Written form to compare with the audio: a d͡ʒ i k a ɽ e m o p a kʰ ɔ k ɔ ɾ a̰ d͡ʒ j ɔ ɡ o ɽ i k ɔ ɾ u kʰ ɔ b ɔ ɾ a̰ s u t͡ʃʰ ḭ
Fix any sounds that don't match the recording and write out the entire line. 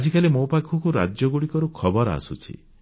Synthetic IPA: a d͡ʒ i k a l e m o p a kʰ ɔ k u ɾ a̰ d͡ʒ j ɔ ɡ u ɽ i k ɔ ɾ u kʰ ɔ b ɔ ɾ a̰ s u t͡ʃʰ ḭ